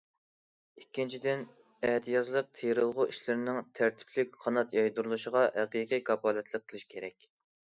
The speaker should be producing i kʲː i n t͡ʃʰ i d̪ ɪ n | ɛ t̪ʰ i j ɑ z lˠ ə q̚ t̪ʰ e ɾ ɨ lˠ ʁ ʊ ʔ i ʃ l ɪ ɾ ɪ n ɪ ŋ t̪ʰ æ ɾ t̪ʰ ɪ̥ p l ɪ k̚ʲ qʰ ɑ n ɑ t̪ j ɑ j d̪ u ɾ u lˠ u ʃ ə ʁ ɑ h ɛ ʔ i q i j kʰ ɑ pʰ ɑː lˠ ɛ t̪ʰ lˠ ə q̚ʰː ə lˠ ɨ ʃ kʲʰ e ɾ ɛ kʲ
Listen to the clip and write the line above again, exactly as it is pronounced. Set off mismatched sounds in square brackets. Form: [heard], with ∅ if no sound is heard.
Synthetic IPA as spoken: i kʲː i n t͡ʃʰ i d̪ ɪ n | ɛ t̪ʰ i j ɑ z lˠ ə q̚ t̪ʰ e ɾ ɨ lˠ ʁ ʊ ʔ i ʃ l ɪ ɾ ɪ n ɪ ŋ t̪ʰ æ ɾ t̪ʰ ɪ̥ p l ɪ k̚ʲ qʰ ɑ n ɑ t̪ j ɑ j d̪ u ɾ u lˠ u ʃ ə ʁ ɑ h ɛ [q] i q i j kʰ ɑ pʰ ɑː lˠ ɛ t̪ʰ lˠ ə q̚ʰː ə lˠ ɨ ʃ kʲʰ e ɾ ɛ kʲ